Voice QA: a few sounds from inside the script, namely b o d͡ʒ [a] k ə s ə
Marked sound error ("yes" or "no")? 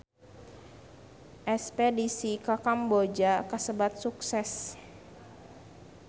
no